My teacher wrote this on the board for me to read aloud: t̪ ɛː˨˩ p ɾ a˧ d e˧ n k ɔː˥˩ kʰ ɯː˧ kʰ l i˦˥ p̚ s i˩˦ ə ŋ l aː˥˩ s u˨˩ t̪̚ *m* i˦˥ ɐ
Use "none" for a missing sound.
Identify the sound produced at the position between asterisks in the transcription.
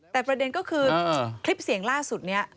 n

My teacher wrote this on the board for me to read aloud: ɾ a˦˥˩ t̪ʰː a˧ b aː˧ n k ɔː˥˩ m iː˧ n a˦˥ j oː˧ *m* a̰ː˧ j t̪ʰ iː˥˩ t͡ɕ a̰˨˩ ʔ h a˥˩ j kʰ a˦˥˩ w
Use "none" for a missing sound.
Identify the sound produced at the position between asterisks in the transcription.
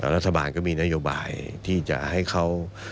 b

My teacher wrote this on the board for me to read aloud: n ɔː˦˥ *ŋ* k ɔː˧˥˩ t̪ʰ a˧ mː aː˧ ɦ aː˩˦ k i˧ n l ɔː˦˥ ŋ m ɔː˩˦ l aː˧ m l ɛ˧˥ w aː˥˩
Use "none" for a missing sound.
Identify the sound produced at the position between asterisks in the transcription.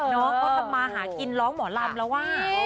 ŋ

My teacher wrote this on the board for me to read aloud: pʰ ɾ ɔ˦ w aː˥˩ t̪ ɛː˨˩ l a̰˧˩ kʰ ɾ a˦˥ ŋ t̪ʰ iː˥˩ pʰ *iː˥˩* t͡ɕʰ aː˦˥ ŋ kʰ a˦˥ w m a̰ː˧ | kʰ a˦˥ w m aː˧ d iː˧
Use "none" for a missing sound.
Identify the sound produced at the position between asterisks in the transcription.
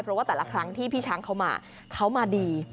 iː˥˩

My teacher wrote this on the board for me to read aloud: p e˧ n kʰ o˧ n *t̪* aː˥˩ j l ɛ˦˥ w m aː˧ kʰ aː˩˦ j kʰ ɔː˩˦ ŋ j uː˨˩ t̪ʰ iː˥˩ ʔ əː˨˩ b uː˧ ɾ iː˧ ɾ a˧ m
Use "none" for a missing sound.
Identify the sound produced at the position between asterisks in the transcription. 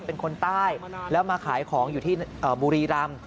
t̪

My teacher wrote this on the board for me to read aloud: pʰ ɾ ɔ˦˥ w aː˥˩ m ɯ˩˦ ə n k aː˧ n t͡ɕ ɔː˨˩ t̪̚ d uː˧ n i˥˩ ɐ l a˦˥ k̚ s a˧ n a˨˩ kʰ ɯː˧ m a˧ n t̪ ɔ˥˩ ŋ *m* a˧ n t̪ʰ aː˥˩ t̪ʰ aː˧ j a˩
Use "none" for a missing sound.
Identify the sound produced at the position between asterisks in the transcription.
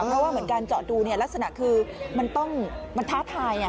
m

